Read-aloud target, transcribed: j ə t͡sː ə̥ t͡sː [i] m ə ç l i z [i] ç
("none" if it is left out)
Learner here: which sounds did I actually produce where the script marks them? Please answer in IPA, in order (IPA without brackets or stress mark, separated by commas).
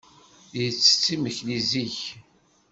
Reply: i, i